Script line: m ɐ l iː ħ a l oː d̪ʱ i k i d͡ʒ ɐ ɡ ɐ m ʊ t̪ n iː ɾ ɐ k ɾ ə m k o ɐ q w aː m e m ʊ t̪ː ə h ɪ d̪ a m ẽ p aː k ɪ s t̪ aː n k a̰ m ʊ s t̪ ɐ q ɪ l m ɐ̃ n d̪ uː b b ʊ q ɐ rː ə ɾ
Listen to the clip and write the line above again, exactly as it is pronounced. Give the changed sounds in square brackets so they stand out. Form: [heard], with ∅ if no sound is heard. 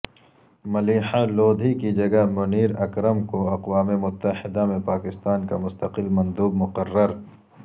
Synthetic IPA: m ɐ l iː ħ a l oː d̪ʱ i k i d͡ʒ ɐ ɡ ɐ m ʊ [∅] n iː ɾ ɐ k ɾ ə m k o ɐ q w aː m e m ʊ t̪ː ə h ɪ d̪ a m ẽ p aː k ɪ s t̪ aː n k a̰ m ʊ s t̪ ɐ q ɪ l m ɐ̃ n d̪ uː b [m] ʊ q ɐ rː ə ɾ